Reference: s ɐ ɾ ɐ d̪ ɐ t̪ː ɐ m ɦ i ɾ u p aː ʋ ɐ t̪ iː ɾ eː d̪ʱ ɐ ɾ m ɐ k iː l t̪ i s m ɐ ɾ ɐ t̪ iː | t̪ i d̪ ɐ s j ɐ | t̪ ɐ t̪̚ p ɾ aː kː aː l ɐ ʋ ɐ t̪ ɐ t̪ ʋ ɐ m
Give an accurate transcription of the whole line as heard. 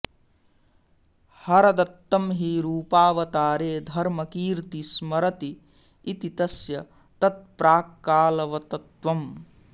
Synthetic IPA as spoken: h ɐ ɾ ɐ d̪ ɐ t̪ː ɐ m ɦ i ɾ uː p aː ʋ ɐ t̪ aː ɾ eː d̪ʱ ɐ ɾ m ɐ k iː ɾ t̪ i s m ɐ ɾ ɐ t̪ iː | t̪ i t̪ ɐ s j ɐ | t̪ ɐ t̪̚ p ɾ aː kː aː l ɐ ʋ ɐ t̪ ɐ t̪ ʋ ɐ m